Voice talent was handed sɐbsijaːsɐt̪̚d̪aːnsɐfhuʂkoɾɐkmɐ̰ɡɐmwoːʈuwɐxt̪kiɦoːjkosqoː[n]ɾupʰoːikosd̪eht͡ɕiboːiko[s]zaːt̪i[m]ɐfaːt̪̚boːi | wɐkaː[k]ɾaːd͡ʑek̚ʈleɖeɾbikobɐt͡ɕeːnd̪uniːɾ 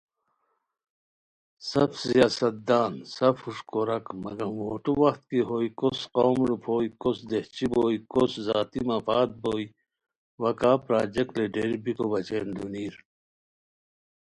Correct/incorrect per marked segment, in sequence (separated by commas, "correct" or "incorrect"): incorrect, correct, correct, incorrect